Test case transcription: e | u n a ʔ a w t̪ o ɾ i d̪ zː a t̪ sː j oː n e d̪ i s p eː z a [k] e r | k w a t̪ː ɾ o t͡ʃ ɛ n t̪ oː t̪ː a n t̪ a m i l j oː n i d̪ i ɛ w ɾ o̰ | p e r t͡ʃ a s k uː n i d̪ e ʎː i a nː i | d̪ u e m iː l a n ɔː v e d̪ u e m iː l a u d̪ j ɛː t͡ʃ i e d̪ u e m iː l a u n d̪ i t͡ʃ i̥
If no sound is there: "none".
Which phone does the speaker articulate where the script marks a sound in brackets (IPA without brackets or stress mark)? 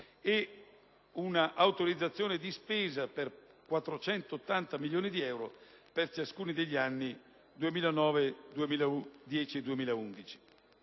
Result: p